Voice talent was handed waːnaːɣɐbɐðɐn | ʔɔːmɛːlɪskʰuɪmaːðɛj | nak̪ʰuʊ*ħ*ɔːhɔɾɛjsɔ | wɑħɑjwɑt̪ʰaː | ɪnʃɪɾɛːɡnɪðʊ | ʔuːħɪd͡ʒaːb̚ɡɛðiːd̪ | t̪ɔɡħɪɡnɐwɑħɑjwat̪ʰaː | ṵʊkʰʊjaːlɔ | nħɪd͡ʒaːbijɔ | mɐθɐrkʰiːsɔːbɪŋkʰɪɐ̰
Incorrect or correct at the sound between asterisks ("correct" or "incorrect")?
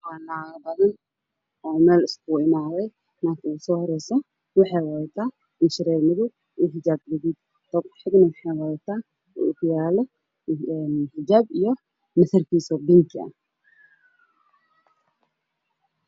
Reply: incorrect